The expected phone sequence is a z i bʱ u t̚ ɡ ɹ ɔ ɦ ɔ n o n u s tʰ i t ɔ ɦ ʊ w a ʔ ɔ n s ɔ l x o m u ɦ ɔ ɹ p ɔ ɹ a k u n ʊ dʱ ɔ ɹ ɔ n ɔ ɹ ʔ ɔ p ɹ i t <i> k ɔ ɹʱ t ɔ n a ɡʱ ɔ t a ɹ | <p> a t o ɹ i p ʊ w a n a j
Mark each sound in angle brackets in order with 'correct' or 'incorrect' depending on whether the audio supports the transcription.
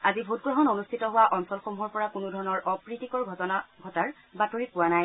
correct, incorrect: b

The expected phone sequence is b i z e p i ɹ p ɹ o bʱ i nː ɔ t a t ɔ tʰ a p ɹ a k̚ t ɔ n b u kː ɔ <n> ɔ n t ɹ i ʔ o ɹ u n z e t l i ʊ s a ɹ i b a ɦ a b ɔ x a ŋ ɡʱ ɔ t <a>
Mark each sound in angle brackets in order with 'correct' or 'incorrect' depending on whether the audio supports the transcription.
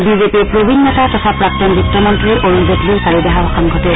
incorrect: m, incorrect: ɛ

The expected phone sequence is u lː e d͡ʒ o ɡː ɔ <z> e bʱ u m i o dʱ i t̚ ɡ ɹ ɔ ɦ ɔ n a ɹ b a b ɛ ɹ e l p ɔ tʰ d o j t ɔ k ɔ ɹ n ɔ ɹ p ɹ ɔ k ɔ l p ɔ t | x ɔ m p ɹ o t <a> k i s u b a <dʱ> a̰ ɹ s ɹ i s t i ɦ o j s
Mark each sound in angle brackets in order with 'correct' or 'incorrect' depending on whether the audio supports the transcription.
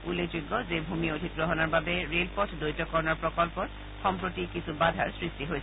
correct, incorrect: i, correct

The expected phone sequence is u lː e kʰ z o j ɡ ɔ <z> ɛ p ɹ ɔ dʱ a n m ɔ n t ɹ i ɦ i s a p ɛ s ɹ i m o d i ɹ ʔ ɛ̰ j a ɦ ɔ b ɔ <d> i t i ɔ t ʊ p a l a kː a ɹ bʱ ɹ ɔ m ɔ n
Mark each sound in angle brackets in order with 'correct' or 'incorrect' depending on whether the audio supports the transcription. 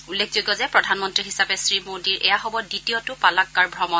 correct, correct

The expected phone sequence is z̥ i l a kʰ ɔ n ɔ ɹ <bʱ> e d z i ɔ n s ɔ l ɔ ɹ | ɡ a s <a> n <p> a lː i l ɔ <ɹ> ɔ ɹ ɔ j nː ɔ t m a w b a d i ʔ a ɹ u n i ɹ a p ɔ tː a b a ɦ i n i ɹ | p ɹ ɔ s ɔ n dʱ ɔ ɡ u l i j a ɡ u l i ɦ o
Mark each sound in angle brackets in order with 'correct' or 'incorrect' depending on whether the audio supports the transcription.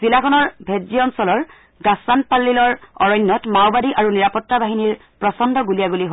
correct, correct, correct, correct

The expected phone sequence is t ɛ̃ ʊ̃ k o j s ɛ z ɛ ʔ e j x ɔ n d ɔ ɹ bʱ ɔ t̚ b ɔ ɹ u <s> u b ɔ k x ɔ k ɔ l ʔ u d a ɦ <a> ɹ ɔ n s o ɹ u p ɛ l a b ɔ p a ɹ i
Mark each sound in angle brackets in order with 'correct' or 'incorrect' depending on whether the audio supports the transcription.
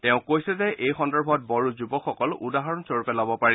incorrect: z, correct

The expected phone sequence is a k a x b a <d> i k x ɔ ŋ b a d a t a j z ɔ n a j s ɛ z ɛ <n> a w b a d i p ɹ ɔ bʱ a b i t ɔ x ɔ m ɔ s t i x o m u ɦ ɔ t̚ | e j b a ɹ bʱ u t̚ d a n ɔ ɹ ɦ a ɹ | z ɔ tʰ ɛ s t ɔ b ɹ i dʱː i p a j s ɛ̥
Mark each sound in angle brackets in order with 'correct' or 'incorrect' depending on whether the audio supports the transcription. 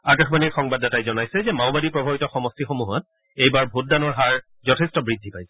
incorrect: n, incorrect: m

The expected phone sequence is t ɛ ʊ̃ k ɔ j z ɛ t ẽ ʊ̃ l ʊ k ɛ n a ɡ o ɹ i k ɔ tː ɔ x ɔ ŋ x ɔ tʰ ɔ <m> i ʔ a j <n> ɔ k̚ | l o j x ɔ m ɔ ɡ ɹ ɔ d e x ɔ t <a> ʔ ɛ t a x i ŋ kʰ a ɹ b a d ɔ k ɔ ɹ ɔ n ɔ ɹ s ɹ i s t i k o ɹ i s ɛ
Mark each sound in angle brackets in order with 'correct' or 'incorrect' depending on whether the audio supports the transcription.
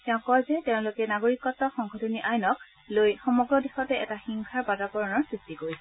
incorrect: n, correct, incorrect: ɛ

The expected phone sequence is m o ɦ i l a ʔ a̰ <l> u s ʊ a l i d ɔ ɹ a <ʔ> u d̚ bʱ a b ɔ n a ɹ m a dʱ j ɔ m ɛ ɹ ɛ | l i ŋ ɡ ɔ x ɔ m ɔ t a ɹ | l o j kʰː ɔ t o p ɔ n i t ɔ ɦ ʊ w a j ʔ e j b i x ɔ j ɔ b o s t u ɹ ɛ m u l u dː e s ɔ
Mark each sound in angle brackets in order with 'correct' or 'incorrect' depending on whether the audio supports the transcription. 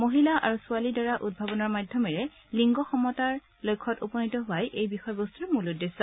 incorrect: ɹ, correct

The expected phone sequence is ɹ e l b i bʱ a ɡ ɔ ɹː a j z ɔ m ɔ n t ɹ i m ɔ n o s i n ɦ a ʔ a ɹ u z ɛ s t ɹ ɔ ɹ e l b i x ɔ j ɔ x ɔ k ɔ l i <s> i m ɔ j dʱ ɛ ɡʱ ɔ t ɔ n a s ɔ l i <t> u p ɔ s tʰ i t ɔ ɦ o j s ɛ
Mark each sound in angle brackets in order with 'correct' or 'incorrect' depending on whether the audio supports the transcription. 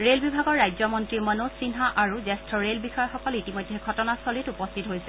incorrect: t, correct

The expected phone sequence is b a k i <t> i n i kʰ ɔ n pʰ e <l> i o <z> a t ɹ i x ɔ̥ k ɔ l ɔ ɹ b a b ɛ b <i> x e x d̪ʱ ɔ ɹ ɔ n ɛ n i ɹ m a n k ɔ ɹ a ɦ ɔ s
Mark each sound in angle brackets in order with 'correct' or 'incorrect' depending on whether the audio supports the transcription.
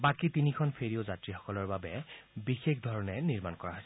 correct, incorrect: ɹ, correct, correct

